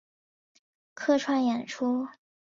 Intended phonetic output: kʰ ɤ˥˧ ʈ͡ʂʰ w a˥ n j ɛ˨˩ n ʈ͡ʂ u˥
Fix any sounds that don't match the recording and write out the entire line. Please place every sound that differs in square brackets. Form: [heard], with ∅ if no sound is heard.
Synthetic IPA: kʰ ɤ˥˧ ʈ͡ʂʰ w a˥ n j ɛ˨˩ n [ʈ͡ʂʰ] u˥